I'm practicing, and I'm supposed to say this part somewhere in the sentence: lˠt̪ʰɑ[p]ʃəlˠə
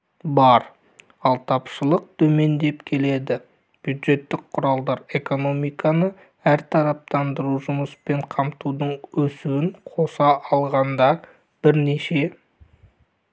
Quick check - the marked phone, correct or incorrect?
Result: correct